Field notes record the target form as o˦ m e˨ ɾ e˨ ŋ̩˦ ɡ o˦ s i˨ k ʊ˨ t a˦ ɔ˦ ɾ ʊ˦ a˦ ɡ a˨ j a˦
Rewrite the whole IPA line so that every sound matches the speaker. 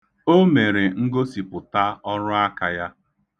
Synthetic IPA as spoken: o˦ m e˨ ɾ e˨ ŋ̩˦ ɡ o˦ s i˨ p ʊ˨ t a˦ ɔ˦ ɾ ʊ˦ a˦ k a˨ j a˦